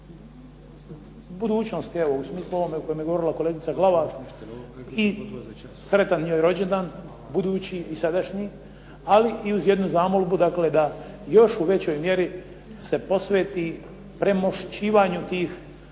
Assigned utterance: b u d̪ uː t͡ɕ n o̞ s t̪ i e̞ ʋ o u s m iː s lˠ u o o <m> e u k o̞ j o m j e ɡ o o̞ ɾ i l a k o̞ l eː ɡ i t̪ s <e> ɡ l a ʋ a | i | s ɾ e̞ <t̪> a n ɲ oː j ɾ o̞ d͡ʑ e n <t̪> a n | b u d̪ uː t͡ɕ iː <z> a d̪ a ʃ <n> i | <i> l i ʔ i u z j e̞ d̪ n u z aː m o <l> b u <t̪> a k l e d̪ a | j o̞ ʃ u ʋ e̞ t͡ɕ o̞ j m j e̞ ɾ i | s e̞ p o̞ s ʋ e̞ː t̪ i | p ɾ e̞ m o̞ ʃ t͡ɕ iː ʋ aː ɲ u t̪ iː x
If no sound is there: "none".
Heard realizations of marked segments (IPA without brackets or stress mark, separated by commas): m, a, t̪, d̪, s, ɲ, a, l, d̪